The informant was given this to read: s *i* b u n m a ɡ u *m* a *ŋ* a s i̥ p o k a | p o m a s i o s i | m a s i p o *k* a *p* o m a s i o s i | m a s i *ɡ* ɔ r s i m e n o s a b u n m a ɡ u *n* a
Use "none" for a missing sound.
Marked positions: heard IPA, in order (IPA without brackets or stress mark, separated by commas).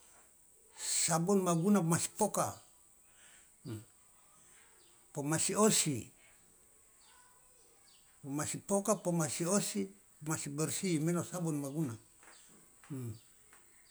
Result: a, n, m, k, p, b, n